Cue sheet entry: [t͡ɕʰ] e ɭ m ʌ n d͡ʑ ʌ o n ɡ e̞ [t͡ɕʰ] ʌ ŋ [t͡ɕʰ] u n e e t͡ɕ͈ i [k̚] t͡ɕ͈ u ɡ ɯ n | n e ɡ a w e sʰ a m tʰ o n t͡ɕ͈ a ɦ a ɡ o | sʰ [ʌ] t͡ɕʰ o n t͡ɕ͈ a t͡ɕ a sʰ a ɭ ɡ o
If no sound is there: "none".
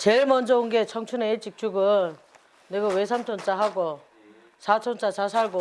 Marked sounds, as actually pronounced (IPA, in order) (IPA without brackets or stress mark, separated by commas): t͡ɕ, t͡ɕʰ, t͡ɕʰ, k̚, a